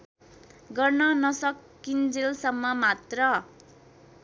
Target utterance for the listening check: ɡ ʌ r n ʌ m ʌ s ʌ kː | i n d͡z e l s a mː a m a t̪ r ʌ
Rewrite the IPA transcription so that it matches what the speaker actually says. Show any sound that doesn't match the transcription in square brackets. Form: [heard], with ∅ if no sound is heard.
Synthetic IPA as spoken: ɡ ʌ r n ʌ [n] ʌ s ʌ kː | i n d͡z e l s [ʌ] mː [ʌ] m a t̪ r ʌ